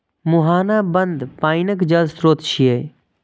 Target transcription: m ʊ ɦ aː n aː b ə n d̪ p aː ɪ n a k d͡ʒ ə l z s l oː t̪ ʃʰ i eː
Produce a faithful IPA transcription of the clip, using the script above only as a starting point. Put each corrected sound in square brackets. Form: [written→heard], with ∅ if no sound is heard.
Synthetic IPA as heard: m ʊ ɦ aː n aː b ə n d̪ p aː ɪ n [a→ə] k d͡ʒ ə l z s [l→ɾ] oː t̪ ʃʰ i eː